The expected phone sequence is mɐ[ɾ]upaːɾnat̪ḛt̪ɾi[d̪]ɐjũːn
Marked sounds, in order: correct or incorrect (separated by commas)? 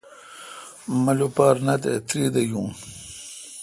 incorrect, correct